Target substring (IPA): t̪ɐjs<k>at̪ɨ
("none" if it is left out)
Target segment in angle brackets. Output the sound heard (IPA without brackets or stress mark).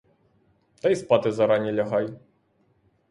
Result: p